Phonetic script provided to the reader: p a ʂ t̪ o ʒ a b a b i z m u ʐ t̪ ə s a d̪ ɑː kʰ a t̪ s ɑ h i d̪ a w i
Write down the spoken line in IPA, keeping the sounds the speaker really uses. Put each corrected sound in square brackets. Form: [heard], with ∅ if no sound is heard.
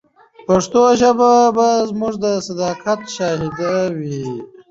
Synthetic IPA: p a ʂ t̪ o ʒ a b a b [a] z m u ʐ [d̪] ə s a d̪ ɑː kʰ a t̪ [ʃ] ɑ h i d̪ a w i